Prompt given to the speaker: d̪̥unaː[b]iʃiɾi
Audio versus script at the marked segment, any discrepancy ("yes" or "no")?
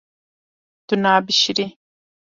no